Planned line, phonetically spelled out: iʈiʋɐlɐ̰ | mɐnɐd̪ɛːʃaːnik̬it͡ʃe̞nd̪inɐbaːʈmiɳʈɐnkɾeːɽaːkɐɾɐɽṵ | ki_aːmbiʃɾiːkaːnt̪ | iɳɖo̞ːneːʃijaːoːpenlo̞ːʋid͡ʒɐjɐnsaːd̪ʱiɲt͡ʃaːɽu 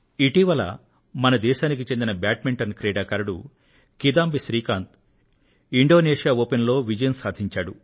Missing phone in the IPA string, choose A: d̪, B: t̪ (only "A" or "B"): A